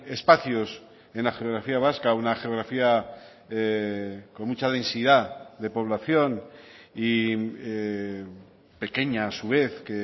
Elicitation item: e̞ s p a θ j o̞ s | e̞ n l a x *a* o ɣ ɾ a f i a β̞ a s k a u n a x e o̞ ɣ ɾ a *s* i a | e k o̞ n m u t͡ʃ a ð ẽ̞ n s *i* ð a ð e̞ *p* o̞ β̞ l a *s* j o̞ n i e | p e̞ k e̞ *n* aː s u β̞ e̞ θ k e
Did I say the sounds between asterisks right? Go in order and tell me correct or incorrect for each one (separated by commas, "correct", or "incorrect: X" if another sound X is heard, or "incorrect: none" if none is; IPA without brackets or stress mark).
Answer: incorrect: e, incorrect: f, correct, correct, incorrect: θ, incorrect: ɲ